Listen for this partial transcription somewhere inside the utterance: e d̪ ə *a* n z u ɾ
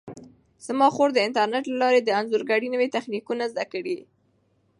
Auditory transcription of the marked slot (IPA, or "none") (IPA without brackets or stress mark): a